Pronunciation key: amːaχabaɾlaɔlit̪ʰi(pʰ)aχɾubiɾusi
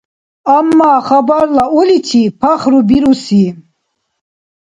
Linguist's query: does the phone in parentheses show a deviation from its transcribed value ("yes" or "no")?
no